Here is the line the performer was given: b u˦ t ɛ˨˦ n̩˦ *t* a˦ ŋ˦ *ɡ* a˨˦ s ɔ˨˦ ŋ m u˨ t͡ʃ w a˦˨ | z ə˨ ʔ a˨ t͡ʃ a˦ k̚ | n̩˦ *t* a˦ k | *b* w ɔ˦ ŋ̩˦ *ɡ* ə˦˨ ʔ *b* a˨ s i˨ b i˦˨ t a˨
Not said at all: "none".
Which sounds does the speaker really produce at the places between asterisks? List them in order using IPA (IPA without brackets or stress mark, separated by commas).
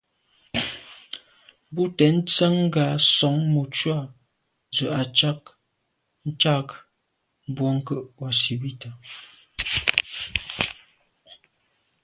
t͡s, ɡ, t͡ʃ, b, k, w